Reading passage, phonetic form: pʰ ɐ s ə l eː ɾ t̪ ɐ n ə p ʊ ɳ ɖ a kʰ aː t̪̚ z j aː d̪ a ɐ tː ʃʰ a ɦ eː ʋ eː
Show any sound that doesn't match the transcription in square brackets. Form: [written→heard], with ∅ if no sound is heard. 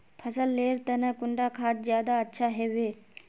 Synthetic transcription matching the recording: pʰ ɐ s ə [l→lː] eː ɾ t̪ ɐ n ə [p→k] ʊ ɳ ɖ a kʰ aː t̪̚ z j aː d̪ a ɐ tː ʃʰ a ɦ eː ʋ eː

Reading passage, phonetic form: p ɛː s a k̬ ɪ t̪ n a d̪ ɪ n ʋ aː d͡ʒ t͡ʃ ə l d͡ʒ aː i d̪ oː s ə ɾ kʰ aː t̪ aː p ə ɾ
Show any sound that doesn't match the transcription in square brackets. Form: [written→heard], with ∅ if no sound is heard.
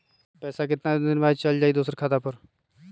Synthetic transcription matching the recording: p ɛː s a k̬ ɪ t̪ n a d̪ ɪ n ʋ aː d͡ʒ t͡ʃ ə l d͡ʒ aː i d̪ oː s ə ɾ kʰ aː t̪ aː p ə ɾ

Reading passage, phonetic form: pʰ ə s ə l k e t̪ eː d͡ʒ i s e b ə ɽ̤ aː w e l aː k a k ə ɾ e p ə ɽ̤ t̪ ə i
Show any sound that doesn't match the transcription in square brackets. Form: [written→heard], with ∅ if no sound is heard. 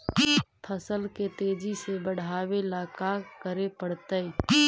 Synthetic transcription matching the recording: pʰ ə s ə l k e t̪ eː d͡ʒ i s e b ə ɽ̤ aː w e l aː k a k ə ɾ e p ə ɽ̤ t̪ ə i

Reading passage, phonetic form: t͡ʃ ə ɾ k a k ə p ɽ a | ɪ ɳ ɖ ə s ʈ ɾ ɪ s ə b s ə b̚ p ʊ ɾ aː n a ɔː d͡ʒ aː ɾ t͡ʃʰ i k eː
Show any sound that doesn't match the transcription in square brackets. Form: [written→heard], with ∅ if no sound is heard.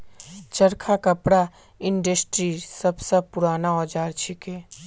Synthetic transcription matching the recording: t͡ʃ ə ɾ [k→kʰ] a k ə p ɽ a | ɪ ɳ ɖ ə s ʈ ɾ [ɪ→i] s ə b s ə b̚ p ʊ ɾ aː n a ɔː d͡ʒ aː ɾ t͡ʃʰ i k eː

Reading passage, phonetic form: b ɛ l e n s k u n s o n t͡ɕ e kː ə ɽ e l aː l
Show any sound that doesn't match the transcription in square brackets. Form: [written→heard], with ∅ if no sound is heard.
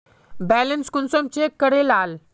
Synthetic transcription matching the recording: b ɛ l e n s k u n s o [n→m] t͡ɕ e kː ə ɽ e l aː l

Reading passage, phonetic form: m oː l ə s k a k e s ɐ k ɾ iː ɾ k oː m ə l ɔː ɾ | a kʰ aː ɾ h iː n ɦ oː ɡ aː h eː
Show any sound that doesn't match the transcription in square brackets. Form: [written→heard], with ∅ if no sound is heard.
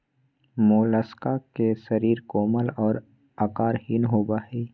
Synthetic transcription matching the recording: m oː l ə s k a k e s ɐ [k→∅] ɾ iː ɾ k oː m ə l ɔː ɾ | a [kʰ→k] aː ɾ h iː n ɦ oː [ɡ→b] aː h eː

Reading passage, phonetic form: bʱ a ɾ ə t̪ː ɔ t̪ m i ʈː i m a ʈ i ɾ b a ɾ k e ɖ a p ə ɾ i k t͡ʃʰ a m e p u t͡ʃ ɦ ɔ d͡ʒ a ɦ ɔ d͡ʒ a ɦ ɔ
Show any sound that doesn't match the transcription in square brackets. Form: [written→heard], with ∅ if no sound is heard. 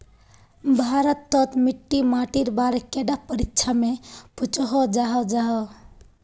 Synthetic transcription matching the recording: bʱ a ɾ ə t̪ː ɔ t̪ m i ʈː i m a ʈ i ɾ b a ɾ k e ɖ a p ə ɾ i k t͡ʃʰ a m e p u t͡ʃ ɦ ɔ d͡ʒ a ɦ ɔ d͡ʒ a ɦ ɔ

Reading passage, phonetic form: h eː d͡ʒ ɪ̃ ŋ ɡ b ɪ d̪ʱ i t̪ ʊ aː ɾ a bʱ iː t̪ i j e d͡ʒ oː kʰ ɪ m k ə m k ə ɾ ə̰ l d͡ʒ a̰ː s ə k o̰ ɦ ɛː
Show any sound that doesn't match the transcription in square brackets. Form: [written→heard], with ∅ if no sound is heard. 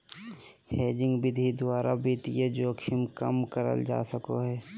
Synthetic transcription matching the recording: h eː d͡ʒ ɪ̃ ŋ ɡ b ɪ d̪ʱ i [t̪→d̪] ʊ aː ɾ a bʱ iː t̪ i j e d͡ʒ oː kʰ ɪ m k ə m k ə ɾ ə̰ l d͡ʒ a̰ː s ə k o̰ ɦ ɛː

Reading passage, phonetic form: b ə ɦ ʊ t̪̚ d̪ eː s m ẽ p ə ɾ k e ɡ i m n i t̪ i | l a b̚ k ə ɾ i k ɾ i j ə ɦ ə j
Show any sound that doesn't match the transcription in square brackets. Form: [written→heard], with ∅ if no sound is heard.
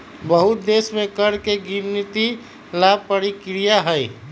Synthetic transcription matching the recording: b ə ɦ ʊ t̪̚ d̪ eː s m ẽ [p→k] ə ɾ k e ɡ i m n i t̪ i | l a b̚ [k→p] ə ɾ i k ɾ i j [ə→a] ɦ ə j

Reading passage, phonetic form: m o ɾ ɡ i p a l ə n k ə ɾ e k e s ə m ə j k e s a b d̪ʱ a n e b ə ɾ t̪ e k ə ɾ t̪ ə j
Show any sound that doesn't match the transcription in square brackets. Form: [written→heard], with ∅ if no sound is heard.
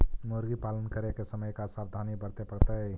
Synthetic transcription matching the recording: m o ɾ ɡ i p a l ə n k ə ɾ e k e s ə m ə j k [e→a] s a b d̪ʱ a n [e→i] b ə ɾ t̪ e [k→p] ə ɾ t̪ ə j

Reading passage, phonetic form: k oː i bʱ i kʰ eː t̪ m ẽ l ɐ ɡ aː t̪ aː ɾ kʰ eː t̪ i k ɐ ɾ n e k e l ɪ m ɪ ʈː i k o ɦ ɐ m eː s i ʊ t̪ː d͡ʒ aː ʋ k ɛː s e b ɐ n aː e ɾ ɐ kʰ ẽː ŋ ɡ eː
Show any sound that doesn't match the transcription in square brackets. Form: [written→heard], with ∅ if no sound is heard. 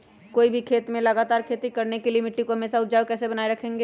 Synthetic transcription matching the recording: k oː i bʱ i kʰ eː t̪ m ẽ l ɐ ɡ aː t̪ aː ɾ kʰ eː t̪ i k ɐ ɾ n e k e l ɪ m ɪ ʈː i k o ɦ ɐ m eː s [i→a] ʊ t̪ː d͡ʒ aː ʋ k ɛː s e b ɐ n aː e ɾ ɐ kʰ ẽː ŋ ɡ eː

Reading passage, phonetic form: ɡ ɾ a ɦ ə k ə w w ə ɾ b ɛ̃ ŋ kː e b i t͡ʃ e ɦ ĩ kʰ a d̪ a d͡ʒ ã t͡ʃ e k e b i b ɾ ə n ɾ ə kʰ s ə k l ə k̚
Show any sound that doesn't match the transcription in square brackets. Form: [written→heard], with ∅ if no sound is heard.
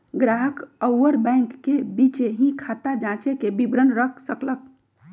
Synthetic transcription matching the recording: ɡ ɾ a ɦ ə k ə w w ə ɾ b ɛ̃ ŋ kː e b i t͡ʃ e ɦ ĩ kʰ a [d̪→t̪] a d͡ʒ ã t͡ʃ e k e b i b ɾ ə n ɾ ə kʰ s ə k l ə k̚

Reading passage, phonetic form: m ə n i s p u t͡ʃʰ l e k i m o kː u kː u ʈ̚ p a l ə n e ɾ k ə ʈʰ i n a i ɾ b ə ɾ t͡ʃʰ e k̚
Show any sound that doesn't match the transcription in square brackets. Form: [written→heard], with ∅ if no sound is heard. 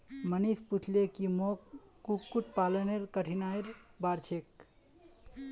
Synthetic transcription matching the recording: m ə n i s p u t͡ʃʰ l e k i m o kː u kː u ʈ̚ p a l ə n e ɾ k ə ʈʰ i n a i ɾ b [ə→a] ɾ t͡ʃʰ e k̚

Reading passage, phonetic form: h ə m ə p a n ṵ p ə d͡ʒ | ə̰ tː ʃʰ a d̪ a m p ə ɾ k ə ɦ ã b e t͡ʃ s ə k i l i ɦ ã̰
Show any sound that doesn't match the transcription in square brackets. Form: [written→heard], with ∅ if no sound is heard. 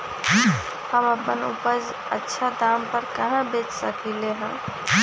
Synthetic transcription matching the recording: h ə m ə p [a→ə] n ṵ p ə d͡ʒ | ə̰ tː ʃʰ a d̪ a m p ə ɾ k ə ɦ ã b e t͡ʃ s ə k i l [i→e] ɦ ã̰

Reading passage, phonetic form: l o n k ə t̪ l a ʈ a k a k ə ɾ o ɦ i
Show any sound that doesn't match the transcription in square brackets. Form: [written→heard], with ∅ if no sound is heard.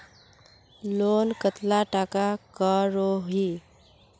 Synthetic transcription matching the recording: l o n k ə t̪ l a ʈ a k a k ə ɾ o ɦ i

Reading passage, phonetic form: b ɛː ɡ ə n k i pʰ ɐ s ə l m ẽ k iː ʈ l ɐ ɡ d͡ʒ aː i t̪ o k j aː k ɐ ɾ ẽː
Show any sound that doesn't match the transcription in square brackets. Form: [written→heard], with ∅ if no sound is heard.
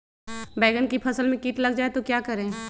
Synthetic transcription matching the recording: b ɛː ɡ ə n k i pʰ ɐ s ə l m ẽ k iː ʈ l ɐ ɡ d͡ʒ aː [i→e] t̪ o k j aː k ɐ ɾ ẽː

